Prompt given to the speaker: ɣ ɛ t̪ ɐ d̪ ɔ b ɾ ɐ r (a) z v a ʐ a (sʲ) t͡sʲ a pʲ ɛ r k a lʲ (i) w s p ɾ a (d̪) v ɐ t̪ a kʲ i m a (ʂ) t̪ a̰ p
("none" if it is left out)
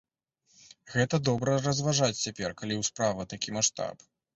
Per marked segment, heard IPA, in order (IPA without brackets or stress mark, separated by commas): ɐ, t͡sʲ, i, none, ʂ